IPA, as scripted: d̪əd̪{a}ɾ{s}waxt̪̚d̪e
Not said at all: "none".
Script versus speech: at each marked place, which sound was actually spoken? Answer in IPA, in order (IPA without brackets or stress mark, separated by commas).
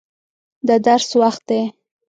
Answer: a, s